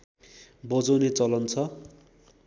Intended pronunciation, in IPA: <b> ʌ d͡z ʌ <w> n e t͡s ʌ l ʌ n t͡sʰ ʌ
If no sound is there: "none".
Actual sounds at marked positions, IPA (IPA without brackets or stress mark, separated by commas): b, w